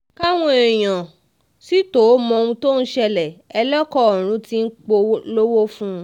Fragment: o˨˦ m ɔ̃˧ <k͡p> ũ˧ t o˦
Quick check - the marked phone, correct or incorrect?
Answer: incorrect